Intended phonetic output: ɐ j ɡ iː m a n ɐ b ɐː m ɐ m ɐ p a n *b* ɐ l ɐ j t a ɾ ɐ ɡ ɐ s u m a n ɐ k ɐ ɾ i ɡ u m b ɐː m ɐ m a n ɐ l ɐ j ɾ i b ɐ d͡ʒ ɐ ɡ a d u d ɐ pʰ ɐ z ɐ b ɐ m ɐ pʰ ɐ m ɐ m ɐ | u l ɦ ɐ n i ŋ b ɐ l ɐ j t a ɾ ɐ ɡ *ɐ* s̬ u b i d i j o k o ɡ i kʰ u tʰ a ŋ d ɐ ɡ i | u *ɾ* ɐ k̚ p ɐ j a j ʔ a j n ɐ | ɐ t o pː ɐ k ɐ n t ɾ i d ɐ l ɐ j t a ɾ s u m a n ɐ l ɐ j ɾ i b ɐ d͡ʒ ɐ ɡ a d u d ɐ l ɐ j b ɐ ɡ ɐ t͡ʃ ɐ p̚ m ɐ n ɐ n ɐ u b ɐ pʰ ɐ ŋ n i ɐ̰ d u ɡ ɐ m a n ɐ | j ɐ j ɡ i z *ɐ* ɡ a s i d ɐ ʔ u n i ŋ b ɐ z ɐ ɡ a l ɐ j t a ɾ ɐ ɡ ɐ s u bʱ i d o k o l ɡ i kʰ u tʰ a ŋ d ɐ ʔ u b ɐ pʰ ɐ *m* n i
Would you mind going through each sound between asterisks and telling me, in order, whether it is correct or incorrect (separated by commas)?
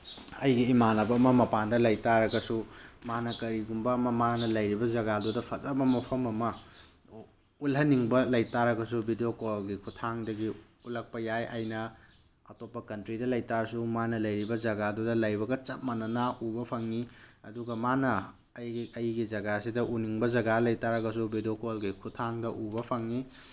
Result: incorrect, correct, incorrect, correct, incorrect